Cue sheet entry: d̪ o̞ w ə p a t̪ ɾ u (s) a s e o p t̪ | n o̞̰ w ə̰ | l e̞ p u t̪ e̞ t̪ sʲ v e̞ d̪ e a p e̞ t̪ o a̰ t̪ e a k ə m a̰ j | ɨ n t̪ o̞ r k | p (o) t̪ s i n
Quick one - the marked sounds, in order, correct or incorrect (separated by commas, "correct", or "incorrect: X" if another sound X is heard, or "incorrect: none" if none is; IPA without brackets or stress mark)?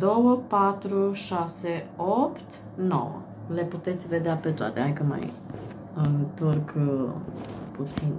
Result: incorrect: ʃ, incorrect: u